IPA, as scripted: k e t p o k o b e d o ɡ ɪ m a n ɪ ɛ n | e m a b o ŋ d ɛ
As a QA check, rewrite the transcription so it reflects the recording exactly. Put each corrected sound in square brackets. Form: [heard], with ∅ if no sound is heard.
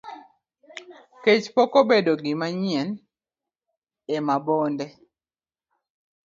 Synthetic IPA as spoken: k e [t͡ʃ] p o k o b e d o ɡ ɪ m a [ɲ] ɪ ɛ n | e m a b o [n] d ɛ

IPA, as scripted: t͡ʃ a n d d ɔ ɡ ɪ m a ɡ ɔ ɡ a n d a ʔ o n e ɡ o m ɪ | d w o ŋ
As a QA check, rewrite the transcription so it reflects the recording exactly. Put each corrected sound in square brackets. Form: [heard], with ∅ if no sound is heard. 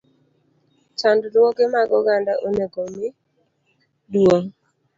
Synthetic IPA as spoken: t͡ʃ a n d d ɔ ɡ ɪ m a ɡ ɔ ɡ a n d a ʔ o n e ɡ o m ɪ | d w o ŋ

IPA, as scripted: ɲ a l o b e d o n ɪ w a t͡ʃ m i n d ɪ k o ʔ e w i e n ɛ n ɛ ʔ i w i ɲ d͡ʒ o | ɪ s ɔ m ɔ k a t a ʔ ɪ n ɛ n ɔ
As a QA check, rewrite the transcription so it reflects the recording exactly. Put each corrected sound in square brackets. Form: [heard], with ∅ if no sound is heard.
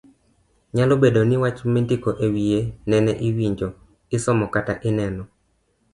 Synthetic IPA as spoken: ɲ a l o b e d o n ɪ w a t͡ʃ m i n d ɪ k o ʔ e w i e n ɛ n ɛ ʔ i w i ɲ d͡ʒ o | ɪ s ɔ m ɔ k a t a ʔ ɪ n ɛ n ɔ

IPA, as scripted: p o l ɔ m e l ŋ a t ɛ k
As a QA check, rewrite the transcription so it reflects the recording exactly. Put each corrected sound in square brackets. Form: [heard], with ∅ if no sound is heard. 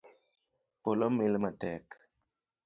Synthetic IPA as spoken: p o l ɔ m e l [m] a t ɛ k

